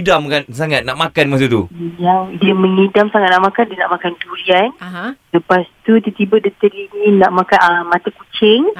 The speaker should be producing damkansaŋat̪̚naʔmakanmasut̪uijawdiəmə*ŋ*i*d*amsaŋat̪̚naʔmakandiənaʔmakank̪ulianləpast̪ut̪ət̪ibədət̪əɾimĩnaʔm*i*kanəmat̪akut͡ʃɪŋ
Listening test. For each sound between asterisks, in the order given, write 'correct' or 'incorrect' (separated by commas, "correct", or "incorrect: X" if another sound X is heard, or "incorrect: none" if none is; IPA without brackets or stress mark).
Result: correct, correct, incorrect: a